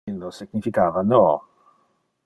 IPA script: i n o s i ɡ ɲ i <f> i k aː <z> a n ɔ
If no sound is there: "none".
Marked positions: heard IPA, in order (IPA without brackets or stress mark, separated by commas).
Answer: f, v